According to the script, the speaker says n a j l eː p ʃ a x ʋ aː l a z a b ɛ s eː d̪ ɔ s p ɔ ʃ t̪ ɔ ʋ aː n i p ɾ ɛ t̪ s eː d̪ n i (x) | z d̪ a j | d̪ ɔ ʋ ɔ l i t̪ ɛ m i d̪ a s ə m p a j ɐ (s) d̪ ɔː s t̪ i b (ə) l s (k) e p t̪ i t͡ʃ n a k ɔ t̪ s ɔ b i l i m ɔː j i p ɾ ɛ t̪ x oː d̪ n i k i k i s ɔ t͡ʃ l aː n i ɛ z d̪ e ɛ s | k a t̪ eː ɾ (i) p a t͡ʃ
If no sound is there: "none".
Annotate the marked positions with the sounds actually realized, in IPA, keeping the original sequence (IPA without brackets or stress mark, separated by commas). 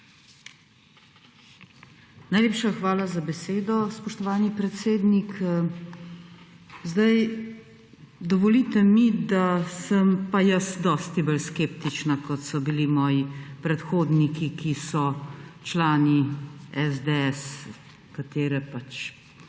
k, s, ə, k, ɛ